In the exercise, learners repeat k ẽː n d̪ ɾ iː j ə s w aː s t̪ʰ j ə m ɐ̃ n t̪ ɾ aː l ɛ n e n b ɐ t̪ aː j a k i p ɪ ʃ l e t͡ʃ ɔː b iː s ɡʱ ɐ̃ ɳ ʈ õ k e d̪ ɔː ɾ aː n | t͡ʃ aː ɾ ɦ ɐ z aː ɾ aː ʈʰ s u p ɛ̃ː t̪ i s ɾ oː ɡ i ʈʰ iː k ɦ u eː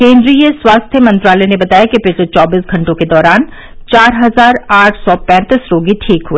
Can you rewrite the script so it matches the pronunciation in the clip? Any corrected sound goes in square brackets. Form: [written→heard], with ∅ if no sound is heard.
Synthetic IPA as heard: k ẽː n d̪ ɾ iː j ə s w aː s t̪ʰ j ə m ɐ̃ n t̪ ɾ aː l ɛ n e [n→∅] b ɐ t̪ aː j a k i p ɪ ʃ l e t͡ʃ ɔː b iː s ɡʱ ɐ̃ ɳ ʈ õ k e d̪ ɔː ɾ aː n | t͡ʃ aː ɾ ɦ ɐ z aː ɾ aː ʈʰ s [u→ɔ] p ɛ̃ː t̪ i s ɾ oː ɡ i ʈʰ iː k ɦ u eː

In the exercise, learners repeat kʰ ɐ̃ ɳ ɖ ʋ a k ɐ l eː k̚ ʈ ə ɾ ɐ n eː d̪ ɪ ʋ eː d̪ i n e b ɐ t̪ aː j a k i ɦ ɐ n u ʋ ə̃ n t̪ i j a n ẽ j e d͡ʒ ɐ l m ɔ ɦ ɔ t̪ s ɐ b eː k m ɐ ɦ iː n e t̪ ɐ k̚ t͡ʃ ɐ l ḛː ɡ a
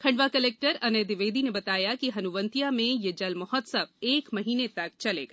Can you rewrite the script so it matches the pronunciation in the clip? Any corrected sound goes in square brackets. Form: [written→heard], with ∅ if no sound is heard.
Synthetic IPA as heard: kʰ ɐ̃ ɳ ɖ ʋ a k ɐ l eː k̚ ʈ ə ɾ ɐ n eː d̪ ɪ ʋ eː d̪ i n e b ɐ t̪ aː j a k i ɦ ɐ n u ʋ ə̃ n t̪ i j a [n→m] ẽ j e d͡ʒ ɐ l m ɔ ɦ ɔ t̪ s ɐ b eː k m ɐ ɦ iː n e t̪ ɐ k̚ t͡ʃ ɐ l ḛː ɡ a

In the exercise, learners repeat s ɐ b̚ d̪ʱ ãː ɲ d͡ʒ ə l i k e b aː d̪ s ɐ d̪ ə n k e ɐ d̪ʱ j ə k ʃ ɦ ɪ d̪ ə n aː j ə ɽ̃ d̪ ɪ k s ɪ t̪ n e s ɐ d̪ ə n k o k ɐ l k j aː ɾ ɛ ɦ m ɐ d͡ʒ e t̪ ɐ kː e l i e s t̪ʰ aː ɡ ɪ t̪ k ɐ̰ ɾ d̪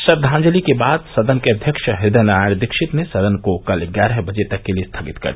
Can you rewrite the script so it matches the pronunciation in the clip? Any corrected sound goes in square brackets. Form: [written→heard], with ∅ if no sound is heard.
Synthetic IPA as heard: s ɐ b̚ d̪ʱ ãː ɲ d͡ʒ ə l i k e b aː d̪ s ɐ d̪ ə n k e ɐ d̪ʱ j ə k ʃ ɦ ɪ d̪ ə n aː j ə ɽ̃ d̪ ɪ k [s→ʃ] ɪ t̪ n e s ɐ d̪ ə n k o k ɐ l [k→ɡ] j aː ɾ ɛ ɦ [m→b] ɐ d͡ʒ e t̪ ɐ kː e l i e s t̪ʰ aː ɡ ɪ t̪ k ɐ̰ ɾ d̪

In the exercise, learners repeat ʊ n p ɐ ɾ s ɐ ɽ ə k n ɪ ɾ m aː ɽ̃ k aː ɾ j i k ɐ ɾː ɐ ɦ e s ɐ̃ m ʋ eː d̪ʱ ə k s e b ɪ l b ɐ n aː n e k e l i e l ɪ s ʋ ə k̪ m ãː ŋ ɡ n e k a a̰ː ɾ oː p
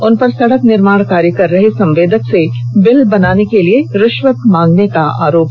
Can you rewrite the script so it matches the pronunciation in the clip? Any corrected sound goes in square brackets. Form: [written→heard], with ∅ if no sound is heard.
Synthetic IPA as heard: ʊ n p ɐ ɾ s ɐ ɽ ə k n ɪ ɾ m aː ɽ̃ k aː ɾ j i k ɐ ɾː ɐ ɦ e s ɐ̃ m ʋ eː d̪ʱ ə k s e b ɪ l b ɐ n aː n e k e l i e [l→ɾ] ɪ [s→ʃ] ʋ ə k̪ m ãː ŋ ɡ n e k a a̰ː ɾ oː p

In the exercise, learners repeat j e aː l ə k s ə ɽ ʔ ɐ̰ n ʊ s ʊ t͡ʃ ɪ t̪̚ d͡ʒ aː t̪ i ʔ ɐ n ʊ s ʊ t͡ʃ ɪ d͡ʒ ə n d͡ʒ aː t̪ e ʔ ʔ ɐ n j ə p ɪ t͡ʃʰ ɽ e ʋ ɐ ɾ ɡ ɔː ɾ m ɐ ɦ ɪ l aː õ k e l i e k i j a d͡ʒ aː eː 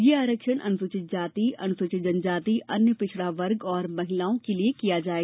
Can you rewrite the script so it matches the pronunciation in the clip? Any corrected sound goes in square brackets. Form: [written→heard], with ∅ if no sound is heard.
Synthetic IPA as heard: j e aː [l→ɾ] ə k [s→ʃ] ə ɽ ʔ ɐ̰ n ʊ s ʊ t͡ʃ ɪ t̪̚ d͡ʒ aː t̪ i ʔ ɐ n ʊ s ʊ t͡ʃ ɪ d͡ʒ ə n d͡ʒ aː t̪ [e→i] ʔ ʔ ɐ n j ə p ɪ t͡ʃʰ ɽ [e→a] ʋ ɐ ɾ ɡ ɔː ɾ m ɐ ɦ ɪ l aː õ k e l i e k i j a d͡ʒ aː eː

